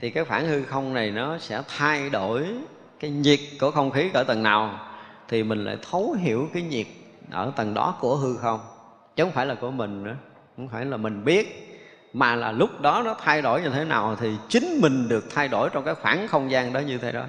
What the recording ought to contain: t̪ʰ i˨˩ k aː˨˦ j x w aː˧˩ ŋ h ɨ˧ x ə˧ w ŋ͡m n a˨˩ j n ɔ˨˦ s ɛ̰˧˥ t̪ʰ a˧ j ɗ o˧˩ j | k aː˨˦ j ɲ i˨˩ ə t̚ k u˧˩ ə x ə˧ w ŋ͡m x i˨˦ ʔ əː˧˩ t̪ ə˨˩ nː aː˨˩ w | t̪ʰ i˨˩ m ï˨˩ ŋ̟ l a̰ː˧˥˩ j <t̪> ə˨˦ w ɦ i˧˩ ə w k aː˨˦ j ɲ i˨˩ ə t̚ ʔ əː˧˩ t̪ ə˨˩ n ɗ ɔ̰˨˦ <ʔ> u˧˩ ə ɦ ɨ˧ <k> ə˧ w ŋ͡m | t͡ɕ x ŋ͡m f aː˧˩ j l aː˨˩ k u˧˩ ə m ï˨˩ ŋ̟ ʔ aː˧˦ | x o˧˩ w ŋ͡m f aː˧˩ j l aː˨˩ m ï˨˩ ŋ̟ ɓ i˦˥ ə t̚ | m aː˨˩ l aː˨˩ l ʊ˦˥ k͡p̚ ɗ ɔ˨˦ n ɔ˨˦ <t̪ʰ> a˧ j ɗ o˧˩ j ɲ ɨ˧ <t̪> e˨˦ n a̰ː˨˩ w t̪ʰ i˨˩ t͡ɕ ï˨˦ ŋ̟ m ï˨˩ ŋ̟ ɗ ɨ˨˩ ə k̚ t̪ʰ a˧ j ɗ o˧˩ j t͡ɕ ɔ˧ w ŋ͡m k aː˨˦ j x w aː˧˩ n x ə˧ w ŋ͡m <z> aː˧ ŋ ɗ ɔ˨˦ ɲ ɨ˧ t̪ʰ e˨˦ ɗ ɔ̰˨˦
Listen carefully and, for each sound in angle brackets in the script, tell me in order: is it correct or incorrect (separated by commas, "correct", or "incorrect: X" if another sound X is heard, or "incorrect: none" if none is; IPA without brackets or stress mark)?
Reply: incorrect: t̪ʰ, incorrect: k, incorrect: x, correct, incorrect: t̪ʰ, correct